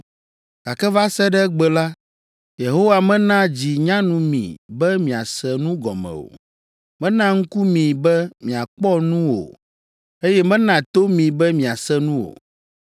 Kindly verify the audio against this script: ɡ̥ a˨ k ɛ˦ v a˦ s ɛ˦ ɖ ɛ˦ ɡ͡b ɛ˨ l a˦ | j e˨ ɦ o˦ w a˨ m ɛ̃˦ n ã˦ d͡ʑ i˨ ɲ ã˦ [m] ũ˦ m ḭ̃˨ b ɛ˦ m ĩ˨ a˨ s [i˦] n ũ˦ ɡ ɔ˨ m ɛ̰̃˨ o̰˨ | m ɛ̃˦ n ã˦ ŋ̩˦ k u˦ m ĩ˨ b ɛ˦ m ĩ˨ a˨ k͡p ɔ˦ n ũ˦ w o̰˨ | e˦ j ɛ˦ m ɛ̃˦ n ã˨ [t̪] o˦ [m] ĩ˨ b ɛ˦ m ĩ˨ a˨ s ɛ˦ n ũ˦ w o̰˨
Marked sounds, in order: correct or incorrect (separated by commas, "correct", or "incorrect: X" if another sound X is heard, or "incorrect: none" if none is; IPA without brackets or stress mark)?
incorrect: n, incorrect: ɛ˦, correct, correct